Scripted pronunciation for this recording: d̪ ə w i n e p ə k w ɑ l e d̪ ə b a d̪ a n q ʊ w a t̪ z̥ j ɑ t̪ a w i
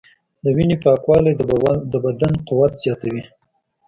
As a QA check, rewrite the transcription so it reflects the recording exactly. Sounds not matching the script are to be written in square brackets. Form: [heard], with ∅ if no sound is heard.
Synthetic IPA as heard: d̪ ə w i n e p [ɑ] k w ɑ l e d̪ ə b a d̪ a n q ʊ w a t̪ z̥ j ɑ t̪ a w i